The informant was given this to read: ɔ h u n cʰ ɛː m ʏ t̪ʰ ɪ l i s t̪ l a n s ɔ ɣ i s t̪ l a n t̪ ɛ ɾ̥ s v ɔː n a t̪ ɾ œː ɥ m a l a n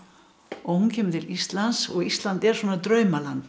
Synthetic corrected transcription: ɔ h u n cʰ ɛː m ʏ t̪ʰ ɪ l i s t̪ l a n s ɔ ɣ i s t̪ l a n t̪ ɛ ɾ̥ s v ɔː n a t̪ ɾ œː ɥ m a l a n